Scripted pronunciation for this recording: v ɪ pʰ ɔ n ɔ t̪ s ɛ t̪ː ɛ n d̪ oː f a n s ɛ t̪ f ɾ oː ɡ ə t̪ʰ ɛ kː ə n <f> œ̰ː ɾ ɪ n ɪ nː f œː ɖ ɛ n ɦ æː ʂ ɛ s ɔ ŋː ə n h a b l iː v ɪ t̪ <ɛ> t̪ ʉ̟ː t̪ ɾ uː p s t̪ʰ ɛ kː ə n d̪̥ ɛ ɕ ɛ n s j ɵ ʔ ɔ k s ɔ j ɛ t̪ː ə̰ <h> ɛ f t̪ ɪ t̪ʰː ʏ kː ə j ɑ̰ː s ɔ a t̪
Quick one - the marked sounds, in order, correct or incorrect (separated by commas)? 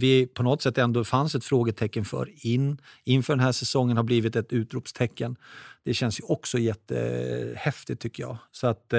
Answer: correct, correct, correct